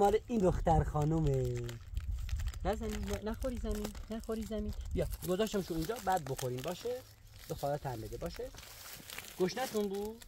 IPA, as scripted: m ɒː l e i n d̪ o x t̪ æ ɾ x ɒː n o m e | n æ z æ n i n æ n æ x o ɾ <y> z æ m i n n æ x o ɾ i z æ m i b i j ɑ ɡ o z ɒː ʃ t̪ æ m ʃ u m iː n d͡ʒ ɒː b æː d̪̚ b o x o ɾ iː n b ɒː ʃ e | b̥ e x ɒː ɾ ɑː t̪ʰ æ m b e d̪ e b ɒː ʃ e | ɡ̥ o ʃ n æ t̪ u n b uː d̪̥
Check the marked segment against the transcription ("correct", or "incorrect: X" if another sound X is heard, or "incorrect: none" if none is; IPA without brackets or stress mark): incorrect: i